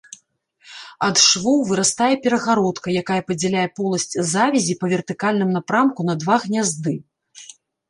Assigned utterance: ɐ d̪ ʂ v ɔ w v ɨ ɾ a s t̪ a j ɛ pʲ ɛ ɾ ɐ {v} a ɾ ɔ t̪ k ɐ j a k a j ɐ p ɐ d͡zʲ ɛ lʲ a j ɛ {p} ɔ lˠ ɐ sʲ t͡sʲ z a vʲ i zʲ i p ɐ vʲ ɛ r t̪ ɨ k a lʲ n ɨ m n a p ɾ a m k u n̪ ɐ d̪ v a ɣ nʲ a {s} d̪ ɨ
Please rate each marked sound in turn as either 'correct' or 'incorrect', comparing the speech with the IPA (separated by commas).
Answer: incorrect, correct, incorrect